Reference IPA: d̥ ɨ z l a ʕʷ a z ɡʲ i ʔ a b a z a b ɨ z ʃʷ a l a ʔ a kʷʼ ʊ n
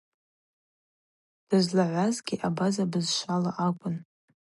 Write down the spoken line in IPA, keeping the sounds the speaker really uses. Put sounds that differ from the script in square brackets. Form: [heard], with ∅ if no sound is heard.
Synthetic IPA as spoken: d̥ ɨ z l a ʕʷ a z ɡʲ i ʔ a b a z a b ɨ z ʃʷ a l a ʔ a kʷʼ ʊ n